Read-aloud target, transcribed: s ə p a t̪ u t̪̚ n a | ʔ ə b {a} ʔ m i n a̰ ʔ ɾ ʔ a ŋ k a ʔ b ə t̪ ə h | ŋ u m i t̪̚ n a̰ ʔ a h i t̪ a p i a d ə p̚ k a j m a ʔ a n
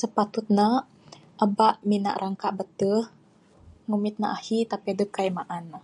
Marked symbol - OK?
yes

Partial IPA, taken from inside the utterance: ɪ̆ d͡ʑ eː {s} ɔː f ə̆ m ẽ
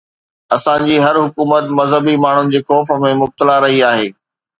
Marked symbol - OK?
no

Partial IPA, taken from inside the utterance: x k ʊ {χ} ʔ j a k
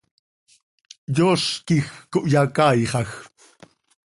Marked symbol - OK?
no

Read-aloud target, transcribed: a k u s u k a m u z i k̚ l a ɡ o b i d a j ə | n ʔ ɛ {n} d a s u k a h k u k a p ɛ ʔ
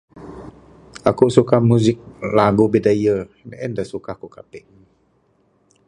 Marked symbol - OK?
yes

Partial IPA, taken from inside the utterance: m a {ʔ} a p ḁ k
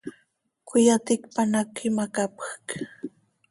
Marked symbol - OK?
no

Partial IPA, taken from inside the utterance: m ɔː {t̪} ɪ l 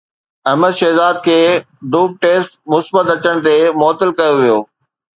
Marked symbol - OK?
yes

